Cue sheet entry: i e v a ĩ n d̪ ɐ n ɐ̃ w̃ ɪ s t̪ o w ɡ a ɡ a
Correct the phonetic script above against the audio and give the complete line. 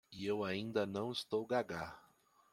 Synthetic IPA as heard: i e w a ĩ n d̪ ɐ n ɐ̃ w̃ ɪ s t̪ o w ɡ a ɡ a